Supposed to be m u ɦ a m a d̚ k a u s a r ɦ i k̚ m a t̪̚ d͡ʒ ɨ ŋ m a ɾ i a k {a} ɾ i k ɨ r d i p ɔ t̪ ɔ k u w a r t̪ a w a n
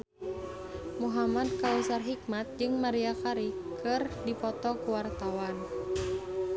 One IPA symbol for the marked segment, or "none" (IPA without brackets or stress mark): a